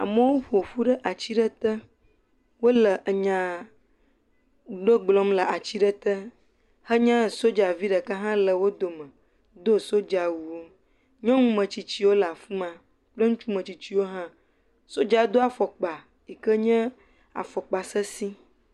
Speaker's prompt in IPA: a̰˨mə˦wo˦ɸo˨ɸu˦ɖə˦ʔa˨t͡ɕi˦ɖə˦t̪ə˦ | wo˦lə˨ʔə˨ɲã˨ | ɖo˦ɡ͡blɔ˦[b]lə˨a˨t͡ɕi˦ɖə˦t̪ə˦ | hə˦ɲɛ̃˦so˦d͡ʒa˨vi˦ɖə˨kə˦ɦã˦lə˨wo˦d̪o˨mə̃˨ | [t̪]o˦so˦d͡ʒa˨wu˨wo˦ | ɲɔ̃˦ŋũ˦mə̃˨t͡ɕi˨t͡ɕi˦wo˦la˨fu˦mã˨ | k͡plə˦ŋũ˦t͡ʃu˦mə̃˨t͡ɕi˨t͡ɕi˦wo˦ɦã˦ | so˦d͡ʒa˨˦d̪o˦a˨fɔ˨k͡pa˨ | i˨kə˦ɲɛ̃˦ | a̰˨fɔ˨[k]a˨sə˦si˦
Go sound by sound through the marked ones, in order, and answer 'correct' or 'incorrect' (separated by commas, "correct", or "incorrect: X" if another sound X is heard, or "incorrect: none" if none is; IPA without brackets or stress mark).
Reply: incorrect: m, incorrect: d̪, incorrect: k͡p